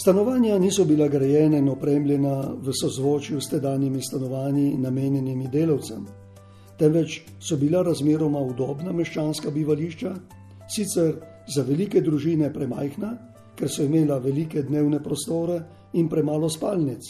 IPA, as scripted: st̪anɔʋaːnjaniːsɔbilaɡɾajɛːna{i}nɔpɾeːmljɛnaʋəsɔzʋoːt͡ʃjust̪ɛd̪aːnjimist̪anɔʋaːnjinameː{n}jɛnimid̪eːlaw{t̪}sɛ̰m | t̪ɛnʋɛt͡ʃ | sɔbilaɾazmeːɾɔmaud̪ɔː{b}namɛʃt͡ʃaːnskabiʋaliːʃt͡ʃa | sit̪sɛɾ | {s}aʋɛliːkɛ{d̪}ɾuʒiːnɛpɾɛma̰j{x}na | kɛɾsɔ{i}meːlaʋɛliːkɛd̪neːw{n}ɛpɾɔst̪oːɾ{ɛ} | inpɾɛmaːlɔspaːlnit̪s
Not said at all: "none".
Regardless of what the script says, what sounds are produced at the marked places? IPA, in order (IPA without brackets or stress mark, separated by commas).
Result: i, n, t̪, b, z, d̪, x, i, n, ɛ